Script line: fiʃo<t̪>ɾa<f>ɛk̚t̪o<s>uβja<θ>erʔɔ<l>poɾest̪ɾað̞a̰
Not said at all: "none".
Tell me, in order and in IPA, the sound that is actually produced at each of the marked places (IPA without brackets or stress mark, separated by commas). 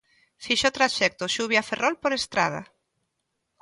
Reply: t̪, ʃ, ʃ, f, l